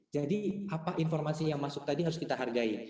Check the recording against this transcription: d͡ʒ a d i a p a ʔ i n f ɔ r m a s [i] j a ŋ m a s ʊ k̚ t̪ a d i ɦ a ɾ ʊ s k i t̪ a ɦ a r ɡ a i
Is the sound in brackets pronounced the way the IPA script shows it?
yes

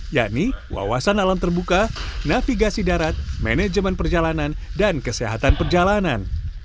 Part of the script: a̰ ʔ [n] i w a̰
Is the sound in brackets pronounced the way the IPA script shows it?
yes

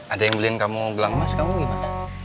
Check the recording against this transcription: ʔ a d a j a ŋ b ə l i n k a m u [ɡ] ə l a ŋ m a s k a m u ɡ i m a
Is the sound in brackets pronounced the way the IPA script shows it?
yes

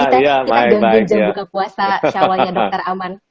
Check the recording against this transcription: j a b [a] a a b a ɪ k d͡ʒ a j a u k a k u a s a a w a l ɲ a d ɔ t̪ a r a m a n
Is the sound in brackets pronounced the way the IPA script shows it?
yes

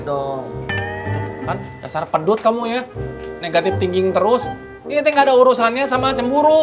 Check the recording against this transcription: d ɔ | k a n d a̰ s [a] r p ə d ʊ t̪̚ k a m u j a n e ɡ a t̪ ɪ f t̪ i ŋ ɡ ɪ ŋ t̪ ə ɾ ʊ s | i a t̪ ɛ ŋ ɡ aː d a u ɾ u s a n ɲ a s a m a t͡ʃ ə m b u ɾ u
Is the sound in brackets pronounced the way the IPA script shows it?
yes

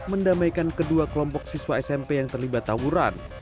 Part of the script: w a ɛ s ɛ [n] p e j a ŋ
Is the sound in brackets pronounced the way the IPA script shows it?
no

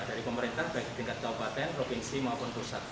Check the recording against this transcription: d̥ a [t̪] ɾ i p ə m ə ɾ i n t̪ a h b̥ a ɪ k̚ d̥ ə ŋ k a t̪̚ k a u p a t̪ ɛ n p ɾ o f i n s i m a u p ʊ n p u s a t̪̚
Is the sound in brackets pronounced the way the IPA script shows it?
no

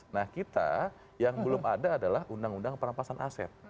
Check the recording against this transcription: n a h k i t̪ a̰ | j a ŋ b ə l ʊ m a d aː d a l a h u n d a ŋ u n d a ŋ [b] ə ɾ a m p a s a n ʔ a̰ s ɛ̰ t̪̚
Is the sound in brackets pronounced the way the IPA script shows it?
no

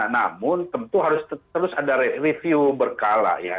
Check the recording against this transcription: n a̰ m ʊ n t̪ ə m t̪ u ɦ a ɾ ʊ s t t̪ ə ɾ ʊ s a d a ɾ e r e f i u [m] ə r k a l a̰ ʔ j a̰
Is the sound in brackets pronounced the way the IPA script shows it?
no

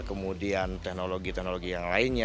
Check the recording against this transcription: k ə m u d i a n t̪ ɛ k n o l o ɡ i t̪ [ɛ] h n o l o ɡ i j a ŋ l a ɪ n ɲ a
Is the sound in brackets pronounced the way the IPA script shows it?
yes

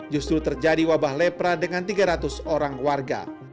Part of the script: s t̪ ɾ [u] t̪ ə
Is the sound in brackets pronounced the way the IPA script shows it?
yes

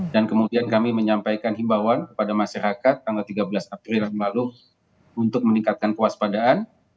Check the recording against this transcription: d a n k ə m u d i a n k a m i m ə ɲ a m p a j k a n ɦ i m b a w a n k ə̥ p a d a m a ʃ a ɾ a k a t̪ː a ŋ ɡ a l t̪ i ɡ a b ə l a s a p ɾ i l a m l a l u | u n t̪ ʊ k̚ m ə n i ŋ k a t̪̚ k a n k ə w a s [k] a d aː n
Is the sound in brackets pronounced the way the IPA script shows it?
no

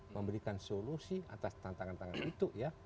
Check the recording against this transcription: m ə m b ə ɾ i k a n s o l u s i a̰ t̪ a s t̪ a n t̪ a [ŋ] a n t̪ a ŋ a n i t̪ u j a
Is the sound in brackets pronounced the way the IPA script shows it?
yes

